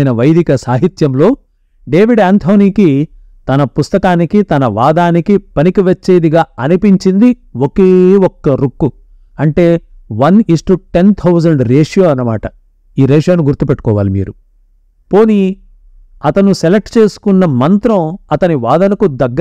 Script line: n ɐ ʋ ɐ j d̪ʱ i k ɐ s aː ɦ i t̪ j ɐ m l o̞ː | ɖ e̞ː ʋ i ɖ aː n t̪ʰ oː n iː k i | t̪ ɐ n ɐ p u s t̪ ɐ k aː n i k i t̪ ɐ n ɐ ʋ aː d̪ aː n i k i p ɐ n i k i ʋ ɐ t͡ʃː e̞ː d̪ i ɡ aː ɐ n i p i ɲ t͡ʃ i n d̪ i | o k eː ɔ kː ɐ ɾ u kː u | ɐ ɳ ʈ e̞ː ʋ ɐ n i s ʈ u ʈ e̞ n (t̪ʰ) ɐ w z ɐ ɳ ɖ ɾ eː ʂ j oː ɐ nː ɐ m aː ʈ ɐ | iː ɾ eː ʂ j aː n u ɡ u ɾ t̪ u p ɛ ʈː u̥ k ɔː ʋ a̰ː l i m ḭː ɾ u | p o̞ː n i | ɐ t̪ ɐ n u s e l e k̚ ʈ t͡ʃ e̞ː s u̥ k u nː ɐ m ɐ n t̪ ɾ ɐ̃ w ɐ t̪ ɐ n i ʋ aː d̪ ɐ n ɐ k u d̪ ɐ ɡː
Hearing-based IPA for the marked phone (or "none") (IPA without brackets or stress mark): t̪ʰ